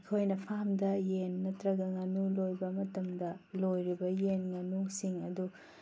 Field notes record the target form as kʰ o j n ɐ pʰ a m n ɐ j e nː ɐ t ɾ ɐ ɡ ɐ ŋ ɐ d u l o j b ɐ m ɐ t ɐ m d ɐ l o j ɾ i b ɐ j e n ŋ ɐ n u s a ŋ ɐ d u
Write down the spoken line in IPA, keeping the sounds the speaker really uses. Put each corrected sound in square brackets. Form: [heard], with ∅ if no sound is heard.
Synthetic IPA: kʰ o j n ɐ pʰ a m [d] ɐ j e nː ɐ t ɾ ɐ ɡ ɐ ŋ ɐ [n] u l o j b ɐ m ɐ t ɐ m d ɐ l o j ɾ i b ɐ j e n ŋ ɐ n u s [i] ŋ ɐ d u